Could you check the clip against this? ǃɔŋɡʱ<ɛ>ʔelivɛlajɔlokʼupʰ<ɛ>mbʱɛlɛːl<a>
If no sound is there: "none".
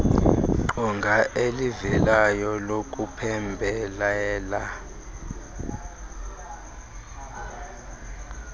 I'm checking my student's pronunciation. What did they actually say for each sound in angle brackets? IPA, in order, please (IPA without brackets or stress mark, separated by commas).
a, ɛ, a